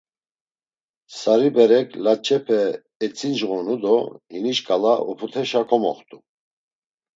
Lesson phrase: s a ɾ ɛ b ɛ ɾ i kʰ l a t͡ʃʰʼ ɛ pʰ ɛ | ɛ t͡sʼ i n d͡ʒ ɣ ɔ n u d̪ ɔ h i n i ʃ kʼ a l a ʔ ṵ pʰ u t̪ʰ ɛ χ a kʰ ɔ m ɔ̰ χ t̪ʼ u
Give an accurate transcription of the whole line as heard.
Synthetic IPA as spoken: s a ɾ i b ɛ ɾ ɛ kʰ l a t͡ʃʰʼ ɛ pʰ ɛ | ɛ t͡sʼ i n d͡ʒ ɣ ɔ n u d̪ ɔ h i n i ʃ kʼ a l a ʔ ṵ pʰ u t̪ʰ ɛ ʃ a kʰ ɔ m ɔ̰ χ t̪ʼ u